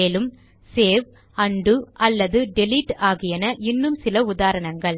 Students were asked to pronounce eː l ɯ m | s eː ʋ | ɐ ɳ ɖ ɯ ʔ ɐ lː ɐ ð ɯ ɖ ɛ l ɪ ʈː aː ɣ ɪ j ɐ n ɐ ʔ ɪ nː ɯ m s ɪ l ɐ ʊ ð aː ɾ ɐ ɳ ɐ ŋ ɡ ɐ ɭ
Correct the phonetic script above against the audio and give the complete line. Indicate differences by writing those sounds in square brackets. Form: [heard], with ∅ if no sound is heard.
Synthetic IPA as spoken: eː l ɯ m | s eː ʋ | ɐ ɳ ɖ ɯ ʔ ɐ lː ɐ ð ɯ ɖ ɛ l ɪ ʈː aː ɣ ɪ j ɐ n ɐ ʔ ɪ nː ɯ m s ɪ l ɐ ʊ ð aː ɾ ɐ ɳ ɐ ŋ ɡ ɐ ɭ